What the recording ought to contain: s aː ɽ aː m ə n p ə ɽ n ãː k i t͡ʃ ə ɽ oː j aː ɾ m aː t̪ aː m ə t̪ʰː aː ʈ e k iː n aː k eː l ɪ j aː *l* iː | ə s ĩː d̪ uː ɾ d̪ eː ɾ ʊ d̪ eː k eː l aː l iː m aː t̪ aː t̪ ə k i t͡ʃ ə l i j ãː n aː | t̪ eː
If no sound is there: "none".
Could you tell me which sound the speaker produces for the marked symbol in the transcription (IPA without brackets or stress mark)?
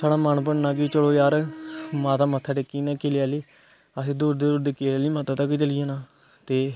l